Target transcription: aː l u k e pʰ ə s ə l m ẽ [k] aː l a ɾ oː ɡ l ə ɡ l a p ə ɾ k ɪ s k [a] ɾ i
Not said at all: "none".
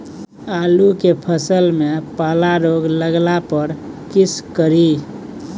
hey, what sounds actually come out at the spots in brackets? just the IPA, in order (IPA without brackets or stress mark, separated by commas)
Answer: p, ə